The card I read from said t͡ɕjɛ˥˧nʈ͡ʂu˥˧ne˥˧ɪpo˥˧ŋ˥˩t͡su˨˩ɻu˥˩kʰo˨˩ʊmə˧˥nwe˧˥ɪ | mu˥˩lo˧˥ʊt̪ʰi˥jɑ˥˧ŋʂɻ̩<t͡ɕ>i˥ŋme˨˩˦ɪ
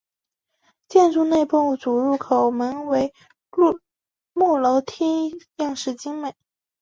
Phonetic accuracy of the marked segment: correct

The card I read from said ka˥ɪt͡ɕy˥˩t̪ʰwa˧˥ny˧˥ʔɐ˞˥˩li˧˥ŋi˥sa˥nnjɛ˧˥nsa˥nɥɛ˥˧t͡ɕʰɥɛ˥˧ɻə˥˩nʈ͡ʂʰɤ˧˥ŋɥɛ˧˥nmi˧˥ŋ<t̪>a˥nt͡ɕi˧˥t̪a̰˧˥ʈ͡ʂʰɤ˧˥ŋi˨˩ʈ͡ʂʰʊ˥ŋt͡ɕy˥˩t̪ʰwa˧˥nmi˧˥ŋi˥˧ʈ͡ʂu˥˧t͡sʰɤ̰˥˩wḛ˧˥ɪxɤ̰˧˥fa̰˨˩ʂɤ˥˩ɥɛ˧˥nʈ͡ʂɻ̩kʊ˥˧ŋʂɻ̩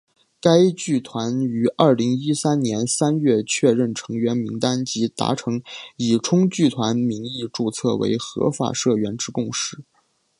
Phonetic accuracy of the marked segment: correct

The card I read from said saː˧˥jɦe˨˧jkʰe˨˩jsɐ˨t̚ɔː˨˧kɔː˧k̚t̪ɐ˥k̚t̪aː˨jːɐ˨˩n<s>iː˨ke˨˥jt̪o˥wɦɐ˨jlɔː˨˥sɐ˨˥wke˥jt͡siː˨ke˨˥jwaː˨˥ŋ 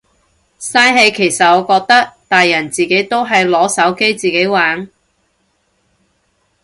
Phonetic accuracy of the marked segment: incorrect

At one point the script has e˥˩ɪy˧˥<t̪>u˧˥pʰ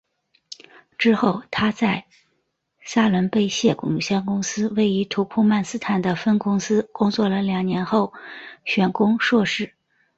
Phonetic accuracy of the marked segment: incorrect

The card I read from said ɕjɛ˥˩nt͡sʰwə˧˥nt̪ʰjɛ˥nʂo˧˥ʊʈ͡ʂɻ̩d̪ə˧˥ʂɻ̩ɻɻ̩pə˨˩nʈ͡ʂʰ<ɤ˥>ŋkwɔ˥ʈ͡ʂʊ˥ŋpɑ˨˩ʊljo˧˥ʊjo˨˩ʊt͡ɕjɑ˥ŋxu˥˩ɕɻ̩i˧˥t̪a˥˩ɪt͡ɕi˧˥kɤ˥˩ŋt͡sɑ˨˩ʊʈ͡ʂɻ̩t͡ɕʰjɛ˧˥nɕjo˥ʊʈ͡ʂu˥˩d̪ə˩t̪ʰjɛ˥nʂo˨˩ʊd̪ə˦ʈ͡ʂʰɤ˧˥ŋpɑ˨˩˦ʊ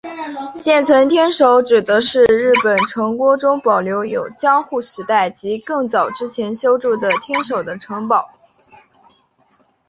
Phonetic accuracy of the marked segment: incorrect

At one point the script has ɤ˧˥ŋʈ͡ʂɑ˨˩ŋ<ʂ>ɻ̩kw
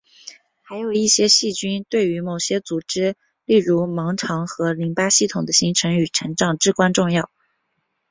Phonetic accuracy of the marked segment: incorrect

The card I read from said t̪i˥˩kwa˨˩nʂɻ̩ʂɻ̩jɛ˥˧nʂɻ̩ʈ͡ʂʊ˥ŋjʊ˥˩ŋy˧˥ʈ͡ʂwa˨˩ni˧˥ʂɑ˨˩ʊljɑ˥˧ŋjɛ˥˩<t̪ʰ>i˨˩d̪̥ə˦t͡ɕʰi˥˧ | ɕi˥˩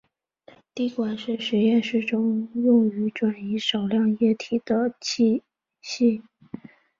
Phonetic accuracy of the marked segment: correct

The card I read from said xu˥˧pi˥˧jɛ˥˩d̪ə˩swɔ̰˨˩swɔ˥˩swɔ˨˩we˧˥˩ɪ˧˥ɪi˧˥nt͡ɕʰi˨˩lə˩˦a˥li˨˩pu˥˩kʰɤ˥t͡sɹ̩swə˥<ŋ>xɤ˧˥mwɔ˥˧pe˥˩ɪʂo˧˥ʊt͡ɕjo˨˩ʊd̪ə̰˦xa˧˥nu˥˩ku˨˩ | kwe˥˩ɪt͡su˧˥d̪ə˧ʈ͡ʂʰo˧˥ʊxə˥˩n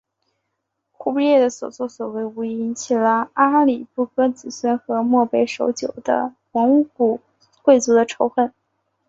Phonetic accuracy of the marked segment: incorrect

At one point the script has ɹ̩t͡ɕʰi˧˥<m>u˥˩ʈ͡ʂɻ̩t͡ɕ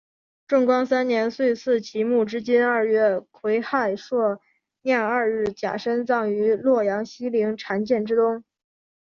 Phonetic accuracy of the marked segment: correct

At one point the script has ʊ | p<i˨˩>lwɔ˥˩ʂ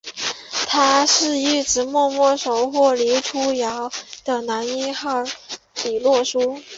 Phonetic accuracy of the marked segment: correct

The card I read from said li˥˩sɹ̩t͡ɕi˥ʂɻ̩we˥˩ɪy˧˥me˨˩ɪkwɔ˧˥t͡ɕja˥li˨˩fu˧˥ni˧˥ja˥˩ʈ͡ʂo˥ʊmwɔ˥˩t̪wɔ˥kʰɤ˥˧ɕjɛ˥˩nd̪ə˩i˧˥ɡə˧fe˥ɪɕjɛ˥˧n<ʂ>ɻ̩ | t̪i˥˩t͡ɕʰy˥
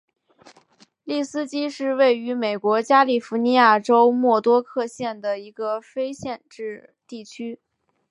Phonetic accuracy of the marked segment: incorrect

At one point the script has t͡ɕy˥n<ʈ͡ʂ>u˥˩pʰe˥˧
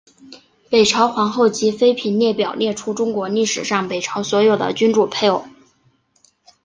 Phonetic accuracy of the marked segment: correct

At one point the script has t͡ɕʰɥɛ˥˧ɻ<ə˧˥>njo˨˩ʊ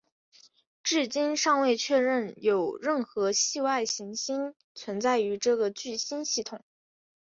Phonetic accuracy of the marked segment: incorrect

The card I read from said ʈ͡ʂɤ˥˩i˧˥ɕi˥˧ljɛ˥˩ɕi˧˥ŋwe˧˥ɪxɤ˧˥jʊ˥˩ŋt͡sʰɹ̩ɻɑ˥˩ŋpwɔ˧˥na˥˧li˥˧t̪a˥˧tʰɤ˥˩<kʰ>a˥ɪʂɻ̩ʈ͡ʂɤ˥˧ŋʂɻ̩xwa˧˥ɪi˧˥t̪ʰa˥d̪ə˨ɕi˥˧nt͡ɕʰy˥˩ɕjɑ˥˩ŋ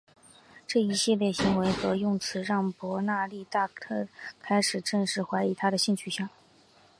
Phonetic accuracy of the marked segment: correct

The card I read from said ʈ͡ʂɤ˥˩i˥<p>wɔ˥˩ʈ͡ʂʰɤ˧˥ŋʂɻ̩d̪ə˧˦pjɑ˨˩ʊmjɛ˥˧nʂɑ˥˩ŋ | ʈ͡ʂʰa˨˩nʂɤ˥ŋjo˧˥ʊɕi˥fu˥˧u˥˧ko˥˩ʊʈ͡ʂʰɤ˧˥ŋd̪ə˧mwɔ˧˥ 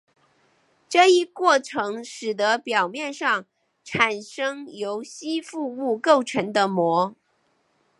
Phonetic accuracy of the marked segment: incorrect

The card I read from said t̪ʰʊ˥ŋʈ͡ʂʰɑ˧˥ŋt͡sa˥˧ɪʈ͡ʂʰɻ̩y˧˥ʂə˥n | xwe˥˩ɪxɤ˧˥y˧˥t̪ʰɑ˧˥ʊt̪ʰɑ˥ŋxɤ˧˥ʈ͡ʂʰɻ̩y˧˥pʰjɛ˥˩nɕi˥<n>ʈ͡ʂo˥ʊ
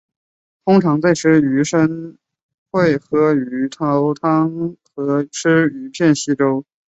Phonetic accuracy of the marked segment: incorrect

